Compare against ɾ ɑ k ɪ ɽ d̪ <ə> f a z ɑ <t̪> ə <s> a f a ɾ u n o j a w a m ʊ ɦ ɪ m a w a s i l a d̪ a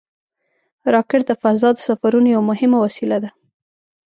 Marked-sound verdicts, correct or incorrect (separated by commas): correct, incorrect, correct